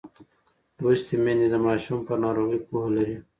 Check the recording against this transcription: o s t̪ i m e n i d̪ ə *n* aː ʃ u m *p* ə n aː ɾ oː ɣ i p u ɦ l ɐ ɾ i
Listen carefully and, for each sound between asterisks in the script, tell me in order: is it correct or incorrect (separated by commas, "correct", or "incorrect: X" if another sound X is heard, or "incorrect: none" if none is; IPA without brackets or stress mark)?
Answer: incorrect: m, correct